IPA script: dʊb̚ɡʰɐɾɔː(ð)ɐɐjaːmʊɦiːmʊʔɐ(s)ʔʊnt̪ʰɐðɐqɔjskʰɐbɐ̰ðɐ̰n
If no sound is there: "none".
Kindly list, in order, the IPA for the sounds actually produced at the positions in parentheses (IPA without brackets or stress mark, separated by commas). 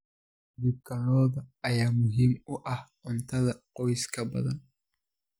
ð, h